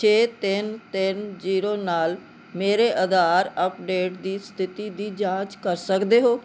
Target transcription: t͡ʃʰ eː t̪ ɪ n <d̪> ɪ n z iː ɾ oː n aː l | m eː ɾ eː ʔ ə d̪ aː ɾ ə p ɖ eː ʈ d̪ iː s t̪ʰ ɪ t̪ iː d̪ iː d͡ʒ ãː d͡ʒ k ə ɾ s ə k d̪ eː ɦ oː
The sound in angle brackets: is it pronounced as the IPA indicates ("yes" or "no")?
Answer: no